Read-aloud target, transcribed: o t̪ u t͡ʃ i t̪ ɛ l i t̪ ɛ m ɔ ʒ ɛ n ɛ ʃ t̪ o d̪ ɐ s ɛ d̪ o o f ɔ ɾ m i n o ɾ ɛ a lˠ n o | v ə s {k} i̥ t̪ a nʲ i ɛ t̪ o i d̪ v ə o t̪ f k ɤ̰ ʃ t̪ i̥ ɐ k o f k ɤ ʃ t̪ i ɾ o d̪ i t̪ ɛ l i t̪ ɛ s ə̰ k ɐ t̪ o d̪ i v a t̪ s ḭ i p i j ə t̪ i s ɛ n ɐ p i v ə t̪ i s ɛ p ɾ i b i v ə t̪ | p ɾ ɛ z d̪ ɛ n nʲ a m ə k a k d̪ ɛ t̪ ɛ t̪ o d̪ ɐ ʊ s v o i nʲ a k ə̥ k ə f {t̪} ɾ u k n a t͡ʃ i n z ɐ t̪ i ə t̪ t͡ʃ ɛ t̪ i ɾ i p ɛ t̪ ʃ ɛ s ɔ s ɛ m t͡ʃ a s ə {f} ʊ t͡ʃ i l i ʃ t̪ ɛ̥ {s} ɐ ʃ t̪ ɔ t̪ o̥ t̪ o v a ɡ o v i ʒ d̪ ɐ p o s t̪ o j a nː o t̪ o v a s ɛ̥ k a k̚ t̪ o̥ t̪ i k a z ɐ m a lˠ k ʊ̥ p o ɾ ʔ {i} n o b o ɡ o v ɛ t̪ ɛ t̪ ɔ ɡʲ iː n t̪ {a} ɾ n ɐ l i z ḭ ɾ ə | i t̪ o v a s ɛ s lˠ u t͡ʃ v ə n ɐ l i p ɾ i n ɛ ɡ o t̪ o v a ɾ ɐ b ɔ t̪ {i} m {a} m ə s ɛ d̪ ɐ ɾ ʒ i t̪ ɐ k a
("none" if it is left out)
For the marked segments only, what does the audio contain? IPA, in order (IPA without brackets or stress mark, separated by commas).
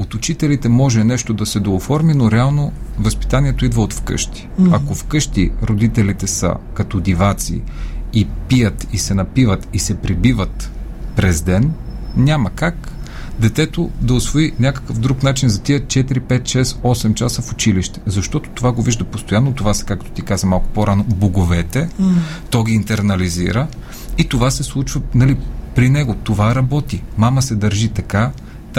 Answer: p, d̪, f, z, a, ɛ, i, a